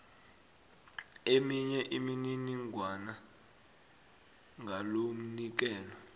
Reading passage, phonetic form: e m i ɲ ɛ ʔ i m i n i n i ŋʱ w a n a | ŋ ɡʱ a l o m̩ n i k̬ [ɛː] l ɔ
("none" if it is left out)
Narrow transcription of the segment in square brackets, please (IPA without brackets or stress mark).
ɛː